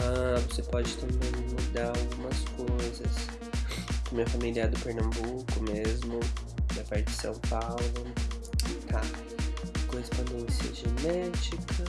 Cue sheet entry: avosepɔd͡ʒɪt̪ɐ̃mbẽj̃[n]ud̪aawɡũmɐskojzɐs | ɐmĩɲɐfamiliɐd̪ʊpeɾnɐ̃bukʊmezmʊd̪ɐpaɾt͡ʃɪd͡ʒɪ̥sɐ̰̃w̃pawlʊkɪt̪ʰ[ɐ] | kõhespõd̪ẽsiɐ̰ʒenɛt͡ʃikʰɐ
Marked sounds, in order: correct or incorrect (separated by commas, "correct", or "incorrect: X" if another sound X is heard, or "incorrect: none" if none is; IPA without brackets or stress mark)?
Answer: incorrect: m, incorrect: a